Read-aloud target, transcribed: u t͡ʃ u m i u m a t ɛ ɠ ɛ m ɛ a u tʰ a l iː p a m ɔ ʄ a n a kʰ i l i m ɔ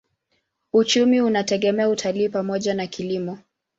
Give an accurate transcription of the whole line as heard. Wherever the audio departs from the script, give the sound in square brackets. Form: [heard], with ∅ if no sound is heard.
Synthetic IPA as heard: u t͡ʃ u m i u [n] a t ɛ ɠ ɛ m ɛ a u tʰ a l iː p a m ɔ ʄ a n a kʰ i l i m ɔ